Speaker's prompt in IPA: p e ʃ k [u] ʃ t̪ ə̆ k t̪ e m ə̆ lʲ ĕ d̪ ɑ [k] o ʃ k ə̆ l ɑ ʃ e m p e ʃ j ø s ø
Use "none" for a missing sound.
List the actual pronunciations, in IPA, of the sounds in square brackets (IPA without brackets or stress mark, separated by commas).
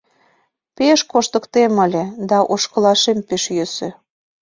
o, ʔ